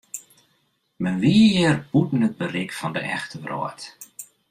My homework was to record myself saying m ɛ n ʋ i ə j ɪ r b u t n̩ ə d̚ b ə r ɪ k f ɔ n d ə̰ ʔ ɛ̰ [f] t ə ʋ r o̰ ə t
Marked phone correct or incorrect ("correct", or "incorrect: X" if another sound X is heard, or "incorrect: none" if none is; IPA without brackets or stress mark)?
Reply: incorrect: x